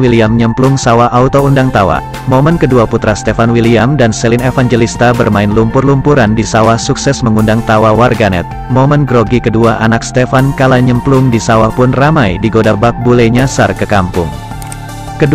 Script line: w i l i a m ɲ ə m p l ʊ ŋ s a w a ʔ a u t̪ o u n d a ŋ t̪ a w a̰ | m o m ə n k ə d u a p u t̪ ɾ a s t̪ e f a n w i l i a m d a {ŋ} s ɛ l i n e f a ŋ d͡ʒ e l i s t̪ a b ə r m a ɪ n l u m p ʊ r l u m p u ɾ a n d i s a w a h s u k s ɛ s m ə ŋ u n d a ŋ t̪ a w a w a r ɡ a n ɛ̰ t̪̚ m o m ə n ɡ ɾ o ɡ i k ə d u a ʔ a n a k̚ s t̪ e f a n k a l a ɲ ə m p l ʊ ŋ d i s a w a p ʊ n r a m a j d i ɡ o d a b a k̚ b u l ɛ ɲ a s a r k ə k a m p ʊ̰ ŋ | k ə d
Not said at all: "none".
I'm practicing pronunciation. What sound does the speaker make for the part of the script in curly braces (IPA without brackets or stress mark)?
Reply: n